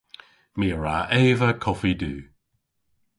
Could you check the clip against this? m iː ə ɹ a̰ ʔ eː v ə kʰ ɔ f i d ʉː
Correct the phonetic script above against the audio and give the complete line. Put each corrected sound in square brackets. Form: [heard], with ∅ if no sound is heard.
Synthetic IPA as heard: m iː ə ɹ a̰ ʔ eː v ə kʰ ɔ f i d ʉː